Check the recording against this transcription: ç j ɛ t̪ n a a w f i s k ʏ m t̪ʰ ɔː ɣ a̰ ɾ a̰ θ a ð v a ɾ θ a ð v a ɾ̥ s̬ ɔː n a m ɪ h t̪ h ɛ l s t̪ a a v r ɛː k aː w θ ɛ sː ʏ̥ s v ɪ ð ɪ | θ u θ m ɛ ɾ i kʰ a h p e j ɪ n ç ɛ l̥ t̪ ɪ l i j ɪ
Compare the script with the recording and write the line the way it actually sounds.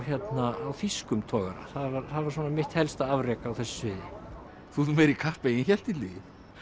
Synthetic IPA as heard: ç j ɛ t̪ n a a w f i s k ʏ m t̪ʰ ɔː ɣ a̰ ɾ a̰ θ a ð v a ɾ θ a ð v a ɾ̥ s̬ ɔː n a m ɪ h t̪ h ɛ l s t̪ a a v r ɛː k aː w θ ɛ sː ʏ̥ s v ɪ ð ɪ | θ u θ m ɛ ɾ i kʰ a h p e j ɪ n ç ɛ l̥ t̪ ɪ l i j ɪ

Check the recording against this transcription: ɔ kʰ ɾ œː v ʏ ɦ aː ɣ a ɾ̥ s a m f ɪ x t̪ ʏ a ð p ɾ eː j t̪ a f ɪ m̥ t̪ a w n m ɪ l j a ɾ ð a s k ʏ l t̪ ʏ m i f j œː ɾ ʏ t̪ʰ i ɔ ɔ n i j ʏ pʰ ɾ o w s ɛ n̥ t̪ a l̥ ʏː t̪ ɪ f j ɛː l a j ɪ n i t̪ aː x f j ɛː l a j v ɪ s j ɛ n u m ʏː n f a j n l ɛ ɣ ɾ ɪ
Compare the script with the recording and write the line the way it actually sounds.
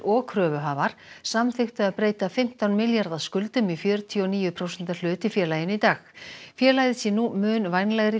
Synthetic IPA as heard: ɔ kʰ ɾ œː v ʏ ɦ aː v a ɾ̥ s a m θ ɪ x t̪ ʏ a ð p ɾ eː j t̪ a f ɪ m̥ t̪ a w n m ɪ l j a ɾ ð a s k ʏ l t̪ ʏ m i f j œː ɾ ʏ t̪ʰ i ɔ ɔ n iː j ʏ pʰ ɾ o w s ɛ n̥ t̪ a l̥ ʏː t̪ ɪ f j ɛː l a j ɪ n i t̪ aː x f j ɛː l a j ð ɪ s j ɛ n u m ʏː n v a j n l ɛ ɣ ɾ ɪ

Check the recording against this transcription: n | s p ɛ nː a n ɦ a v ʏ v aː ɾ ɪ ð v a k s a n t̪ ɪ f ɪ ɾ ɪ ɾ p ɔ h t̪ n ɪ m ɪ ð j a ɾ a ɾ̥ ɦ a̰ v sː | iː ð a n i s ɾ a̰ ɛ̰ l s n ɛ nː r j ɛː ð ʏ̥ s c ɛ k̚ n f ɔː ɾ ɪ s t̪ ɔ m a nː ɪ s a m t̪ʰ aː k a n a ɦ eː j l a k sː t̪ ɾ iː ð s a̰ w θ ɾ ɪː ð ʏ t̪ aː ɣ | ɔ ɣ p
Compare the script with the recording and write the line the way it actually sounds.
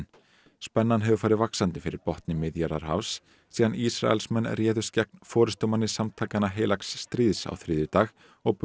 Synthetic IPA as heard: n | s p ɛ nː a n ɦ ɛ v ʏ f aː ɾ ɪ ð v a k s a n t̪ ɪ f ɪ ɾ ɪ ɾ p ɔ h t̪ n ɪ m ɪ ð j a ɾ a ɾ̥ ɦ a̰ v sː | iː ð a n i s ɾ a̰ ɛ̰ l s m ɛ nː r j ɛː ð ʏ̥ s c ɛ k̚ n f ɔː ɾ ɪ s t̪ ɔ m a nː ɪ s a m t̪ʰ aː k a n a ɦ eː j l a k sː t̪ ɾ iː ð s a̰ w θ ɾ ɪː ð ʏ t̪ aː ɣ | ɔ ɣ p

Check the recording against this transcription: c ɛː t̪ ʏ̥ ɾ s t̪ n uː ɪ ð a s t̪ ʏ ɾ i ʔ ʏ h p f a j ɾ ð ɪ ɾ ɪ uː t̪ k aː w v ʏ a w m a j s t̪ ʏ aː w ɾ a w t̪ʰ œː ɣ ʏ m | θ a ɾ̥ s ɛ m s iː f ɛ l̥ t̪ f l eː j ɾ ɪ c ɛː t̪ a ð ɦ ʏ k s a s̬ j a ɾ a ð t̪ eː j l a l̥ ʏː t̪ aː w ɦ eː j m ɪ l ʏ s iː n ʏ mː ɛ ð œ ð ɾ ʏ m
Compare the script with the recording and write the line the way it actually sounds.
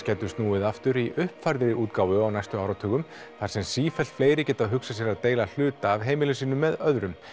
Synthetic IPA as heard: c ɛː t̪ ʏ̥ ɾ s t̪ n uː ɪ ð a f t̪ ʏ ɾ i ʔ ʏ h p f a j ɾ ð ɪ ɾ ɪ uː t̪ k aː w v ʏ a w n a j s t̪ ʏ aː w ɾ a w t̪ʰ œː ɣ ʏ m | θ a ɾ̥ s ɛ m s iː f ɛ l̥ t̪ f l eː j ɾ ɪ c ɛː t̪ a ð ɦ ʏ k s a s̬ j ɛ ɾ a ð t̪ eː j l a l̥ ʏː t̪ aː v ɦ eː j m ɪ l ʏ s iː n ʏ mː ɛ ð œ ð ɾ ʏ m

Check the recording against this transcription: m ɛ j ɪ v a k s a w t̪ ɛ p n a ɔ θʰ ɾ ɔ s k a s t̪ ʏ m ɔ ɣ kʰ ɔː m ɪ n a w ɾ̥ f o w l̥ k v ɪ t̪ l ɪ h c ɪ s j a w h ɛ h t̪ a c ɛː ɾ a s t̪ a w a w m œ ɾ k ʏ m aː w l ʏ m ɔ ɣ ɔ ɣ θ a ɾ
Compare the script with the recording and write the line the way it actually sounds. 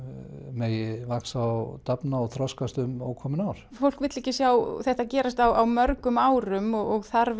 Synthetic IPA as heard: m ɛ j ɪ v a k s a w t̪ a p n a ɔ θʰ ɾ ɔ s k a s t̪ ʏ m ɔ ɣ kʰ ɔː m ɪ n a w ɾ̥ f o w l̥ k v ɪ t̪ l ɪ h c ɪ s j a w θ ɛ h t̪ a c ɛː ɾ a s t̪ a w a w m œ ɾ k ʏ m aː w ɾ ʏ m ɔ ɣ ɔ ɣ θ a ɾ

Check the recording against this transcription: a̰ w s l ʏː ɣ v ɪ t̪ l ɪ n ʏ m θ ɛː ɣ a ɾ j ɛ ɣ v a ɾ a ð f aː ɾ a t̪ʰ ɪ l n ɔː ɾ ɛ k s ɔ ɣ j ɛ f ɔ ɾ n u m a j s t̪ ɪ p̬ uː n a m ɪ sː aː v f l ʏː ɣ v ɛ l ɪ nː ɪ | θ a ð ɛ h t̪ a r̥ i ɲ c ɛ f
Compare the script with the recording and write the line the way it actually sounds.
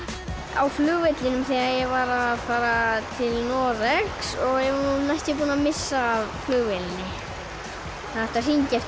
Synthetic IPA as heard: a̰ w f l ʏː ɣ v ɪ t̪ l ɪ n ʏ m θ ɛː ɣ a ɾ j ɛ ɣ v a ɾ a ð f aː ɾ a t̪ʰ ɪ l n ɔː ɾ ɛ k s ɔ ɣ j ɛ v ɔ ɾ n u n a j s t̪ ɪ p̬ uː n a m ɪ sː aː v f l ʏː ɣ v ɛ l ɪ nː ɪ | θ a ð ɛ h t̪ a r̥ i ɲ c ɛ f

